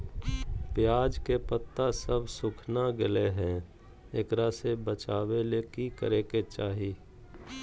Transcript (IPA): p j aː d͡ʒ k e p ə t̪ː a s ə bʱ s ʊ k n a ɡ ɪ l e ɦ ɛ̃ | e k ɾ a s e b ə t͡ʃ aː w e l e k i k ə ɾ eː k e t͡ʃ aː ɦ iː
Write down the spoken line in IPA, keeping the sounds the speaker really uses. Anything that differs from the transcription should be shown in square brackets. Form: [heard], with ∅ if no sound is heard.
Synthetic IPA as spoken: p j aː d͡ʒ k e p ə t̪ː a s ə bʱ s ʊ [kʰ] n a ɡ ɪ l e ɦ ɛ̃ | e k ɾ a s e b ə t͡ʃ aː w e l e k i k ə ɾ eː k e t͡ʃ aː ɦ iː